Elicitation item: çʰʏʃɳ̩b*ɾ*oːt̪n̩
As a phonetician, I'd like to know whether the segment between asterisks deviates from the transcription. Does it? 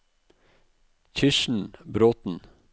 no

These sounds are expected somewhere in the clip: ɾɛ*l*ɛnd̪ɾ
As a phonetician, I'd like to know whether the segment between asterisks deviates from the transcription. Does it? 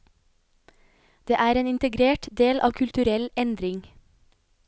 no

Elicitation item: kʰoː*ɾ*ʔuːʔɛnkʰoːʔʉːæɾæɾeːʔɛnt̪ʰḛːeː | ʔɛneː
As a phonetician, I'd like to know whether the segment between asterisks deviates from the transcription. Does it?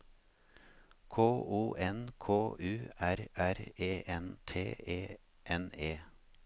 yes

